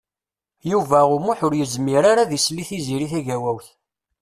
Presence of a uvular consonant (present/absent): absent